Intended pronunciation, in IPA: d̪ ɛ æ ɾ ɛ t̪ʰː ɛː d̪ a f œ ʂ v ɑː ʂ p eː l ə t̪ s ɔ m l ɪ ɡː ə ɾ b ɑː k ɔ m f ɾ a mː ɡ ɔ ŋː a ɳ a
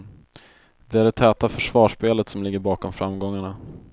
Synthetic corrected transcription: d̪ ɛ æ ɾ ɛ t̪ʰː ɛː t̪ a f œ ʂ v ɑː ʂ p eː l ə t̪ s ɔ m l ɪ ɡː ə ɾ b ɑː k ɔ m f ɾ a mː ɡ ɔ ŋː a ɳ a